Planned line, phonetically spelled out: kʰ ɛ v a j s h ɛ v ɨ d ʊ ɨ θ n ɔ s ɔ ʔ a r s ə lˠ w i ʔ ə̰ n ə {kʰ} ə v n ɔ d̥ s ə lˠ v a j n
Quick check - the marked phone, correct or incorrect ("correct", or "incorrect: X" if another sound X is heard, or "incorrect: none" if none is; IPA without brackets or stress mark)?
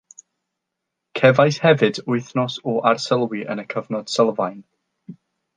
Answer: correct